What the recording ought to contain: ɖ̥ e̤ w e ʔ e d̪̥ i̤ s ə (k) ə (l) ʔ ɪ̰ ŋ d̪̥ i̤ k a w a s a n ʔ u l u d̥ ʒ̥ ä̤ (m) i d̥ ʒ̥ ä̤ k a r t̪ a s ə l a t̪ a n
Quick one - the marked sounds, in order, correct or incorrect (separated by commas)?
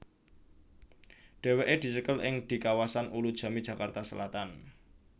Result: correct, correct, correct